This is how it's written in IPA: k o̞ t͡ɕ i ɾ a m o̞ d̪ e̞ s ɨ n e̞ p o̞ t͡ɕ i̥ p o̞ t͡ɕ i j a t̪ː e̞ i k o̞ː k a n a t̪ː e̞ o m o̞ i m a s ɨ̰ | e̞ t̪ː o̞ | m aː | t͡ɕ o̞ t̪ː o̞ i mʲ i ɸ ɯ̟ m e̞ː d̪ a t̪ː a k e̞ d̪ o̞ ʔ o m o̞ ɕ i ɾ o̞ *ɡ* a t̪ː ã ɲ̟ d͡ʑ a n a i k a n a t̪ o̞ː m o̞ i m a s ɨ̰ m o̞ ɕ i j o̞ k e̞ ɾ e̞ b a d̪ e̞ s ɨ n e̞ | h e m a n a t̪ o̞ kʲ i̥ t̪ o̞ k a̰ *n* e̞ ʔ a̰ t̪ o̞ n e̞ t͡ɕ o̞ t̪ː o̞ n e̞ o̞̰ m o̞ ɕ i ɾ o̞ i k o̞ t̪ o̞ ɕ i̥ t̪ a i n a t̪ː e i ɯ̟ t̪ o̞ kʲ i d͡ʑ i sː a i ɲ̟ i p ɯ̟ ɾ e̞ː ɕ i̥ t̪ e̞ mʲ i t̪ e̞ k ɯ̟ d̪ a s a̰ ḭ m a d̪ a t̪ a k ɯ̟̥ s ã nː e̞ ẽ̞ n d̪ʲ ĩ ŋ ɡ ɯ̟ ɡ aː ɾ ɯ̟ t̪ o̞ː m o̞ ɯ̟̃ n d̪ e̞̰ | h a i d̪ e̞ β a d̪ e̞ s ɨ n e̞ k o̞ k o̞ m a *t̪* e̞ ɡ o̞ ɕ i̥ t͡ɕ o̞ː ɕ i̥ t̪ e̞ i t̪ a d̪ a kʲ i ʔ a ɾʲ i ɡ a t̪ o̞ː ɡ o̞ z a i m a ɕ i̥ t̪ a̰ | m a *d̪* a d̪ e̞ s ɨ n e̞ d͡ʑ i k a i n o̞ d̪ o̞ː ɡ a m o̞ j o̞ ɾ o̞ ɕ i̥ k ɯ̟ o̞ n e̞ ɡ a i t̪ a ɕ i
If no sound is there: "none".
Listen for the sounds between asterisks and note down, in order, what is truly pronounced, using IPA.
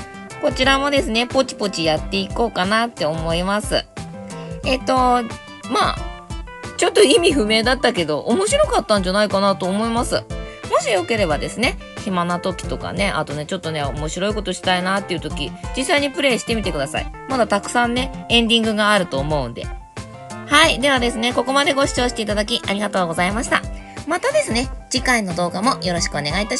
k, n, d̪, t̪

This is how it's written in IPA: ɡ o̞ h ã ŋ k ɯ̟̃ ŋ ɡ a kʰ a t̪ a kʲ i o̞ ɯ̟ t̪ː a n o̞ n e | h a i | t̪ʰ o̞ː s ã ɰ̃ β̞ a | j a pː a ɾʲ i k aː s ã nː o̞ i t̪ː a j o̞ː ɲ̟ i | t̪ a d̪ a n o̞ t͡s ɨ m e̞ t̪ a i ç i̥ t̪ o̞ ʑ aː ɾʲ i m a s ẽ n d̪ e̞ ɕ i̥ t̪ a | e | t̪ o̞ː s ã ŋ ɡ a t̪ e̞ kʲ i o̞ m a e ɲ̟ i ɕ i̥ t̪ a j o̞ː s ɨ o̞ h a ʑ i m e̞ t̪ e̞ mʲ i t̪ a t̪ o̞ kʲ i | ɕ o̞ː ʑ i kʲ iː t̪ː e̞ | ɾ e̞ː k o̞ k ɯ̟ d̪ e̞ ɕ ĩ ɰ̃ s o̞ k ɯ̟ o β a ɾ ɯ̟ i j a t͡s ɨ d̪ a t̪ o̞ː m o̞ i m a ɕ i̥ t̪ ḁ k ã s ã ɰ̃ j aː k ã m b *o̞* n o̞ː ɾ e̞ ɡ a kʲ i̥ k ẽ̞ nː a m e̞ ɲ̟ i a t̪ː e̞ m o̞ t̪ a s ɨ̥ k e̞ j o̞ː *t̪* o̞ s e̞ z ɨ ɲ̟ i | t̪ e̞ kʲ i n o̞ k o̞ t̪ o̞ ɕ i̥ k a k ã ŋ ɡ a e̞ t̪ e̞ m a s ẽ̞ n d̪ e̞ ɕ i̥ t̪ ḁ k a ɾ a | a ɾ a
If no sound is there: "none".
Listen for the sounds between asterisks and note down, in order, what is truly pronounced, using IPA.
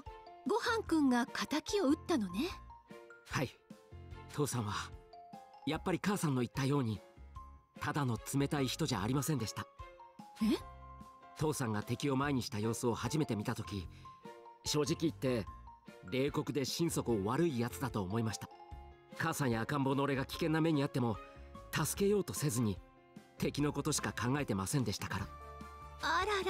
o̞, t̪

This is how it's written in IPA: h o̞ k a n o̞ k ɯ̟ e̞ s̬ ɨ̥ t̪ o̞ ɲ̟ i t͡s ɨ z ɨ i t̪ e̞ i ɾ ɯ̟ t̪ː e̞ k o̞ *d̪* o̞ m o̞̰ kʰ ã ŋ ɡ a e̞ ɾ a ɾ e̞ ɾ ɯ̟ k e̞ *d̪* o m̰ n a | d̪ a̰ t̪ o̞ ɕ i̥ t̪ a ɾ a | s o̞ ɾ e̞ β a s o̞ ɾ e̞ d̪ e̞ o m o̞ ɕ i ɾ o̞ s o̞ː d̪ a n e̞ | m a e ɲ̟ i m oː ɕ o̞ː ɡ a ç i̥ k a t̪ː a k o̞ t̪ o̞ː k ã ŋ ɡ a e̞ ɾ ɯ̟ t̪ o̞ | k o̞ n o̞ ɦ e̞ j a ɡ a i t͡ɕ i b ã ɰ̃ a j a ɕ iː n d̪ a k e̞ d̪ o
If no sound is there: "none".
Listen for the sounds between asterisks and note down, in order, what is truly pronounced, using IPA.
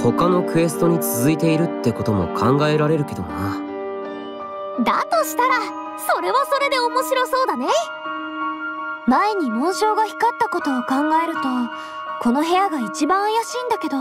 t̪, d̪

